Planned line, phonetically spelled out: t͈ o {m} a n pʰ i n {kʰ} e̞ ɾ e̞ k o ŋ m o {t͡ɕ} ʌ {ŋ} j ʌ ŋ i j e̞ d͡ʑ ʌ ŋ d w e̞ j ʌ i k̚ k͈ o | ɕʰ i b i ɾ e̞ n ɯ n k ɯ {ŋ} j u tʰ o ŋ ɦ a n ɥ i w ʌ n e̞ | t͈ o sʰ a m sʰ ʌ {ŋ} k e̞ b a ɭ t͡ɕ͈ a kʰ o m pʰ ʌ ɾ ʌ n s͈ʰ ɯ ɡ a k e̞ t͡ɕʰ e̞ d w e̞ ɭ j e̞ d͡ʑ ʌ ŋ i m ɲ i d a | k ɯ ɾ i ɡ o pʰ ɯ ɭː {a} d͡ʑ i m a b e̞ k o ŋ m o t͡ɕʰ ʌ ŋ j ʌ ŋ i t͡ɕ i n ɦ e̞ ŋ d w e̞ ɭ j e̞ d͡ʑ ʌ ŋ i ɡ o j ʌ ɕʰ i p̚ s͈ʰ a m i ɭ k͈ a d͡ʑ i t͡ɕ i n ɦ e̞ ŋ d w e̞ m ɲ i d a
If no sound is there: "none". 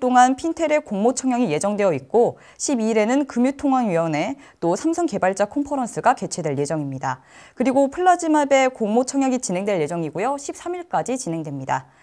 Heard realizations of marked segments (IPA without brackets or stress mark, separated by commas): ŋ, tʰ, t͡ɕʰ, ŋ, m, ŋ, a